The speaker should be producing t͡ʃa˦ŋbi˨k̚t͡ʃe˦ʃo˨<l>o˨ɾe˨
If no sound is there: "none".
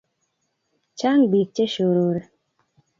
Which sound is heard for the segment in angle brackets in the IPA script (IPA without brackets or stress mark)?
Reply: ɾ